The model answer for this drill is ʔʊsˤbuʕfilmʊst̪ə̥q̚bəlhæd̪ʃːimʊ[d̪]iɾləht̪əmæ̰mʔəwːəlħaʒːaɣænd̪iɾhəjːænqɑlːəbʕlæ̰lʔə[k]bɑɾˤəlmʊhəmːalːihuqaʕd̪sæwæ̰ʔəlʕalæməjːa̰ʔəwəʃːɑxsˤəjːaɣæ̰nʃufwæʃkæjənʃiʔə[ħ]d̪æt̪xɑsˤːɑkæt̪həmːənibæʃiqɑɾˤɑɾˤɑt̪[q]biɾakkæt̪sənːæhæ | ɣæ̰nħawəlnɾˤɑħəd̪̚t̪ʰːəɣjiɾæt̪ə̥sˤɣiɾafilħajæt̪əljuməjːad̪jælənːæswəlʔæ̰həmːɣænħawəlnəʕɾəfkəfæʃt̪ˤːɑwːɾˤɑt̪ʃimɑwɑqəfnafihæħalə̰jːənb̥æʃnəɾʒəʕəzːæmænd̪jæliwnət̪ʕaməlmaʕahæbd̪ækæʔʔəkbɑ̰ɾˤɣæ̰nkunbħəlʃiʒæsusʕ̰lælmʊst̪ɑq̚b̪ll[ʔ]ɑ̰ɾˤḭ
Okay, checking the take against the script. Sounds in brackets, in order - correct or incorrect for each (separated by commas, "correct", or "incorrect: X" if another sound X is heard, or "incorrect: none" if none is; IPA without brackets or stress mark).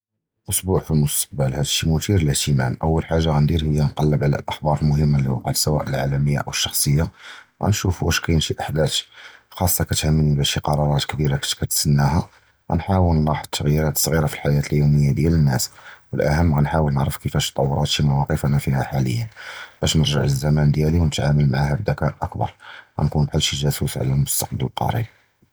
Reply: incorrect: t̪, incorrect: x, correct, incorrect: k, incorrect: q